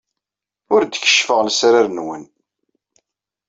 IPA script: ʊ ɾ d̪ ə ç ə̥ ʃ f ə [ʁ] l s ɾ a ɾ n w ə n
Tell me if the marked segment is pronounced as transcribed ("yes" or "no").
yes